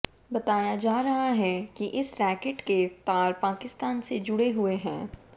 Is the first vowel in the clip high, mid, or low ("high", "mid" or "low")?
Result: low